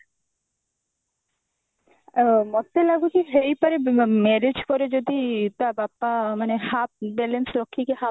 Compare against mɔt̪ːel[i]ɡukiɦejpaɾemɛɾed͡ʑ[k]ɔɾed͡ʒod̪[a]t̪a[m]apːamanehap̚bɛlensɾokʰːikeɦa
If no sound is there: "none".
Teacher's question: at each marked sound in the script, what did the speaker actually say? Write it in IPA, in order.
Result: a, k, i, b

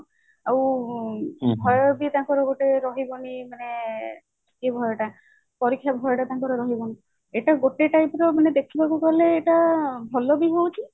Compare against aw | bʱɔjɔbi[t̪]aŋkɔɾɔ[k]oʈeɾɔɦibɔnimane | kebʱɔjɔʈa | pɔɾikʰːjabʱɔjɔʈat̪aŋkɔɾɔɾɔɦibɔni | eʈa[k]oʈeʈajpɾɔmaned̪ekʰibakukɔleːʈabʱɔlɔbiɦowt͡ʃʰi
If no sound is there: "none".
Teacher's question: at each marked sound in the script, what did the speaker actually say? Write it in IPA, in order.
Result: t̪, ɡ, ɡ

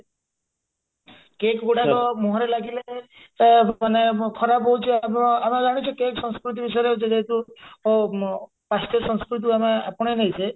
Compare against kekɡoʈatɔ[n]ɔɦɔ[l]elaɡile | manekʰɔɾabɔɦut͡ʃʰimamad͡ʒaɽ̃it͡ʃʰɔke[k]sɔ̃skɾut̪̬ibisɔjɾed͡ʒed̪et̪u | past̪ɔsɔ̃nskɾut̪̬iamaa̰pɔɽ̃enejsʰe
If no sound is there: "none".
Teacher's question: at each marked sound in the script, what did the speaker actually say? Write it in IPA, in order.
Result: m, ɾ, k

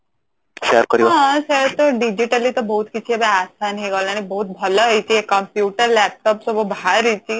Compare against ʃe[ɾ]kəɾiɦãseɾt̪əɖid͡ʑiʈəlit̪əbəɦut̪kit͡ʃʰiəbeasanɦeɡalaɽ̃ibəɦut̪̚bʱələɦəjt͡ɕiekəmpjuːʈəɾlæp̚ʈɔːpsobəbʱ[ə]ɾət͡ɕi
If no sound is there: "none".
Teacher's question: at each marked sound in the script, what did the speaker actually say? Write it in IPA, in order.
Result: ɾ, a

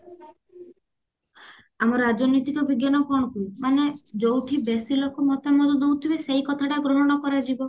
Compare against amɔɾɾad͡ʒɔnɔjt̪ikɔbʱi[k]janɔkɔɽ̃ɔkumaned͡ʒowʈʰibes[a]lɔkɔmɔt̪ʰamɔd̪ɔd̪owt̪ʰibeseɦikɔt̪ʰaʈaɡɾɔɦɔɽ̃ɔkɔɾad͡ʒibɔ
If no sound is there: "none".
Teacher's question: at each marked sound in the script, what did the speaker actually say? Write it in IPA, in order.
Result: ɡ, i

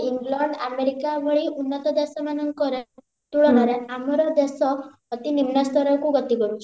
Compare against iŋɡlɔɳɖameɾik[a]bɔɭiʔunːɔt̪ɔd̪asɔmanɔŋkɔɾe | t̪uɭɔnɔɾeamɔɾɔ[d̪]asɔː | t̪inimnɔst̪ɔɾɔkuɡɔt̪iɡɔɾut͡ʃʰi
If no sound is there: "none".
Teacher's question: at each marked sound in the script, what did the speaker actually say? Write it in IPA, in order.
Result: a, d̪

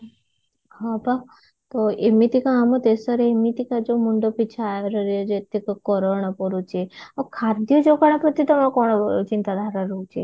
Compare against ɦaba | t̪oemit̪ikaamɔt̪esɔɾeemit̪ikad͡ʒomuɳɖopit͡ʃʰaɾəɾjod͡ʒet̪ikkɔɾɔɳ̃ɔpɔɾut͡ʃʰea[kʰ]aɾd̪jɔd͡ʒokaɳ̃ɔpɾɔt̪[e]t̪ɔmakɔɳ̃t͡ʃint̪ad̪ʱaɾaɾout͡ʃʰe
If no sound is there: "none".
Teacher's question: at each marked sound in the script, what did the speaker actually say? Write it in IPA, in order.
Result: kʰ, i

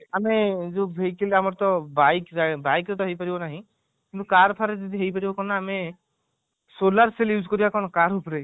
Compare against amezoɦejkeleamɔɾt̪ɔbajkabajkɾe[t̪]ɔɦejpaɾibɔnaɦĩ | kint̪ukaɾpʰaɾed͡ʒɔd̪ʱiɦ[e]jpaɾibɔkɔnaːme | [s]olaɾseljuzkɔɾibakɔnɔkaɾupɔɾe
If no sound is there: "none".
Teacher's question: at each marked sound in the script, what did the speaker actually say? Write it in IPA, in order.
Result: t̪, e, s

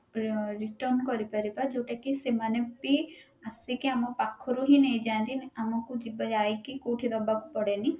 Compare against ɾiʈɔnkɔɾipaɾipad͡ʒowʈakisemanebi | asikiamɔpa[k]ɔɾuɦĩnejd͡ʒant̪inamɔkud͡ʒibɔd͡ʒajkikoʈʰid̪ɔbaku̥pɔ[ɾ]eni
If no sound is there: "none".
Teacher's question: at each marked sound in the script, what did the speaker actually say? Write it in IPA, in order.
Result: kʰ, ɽ

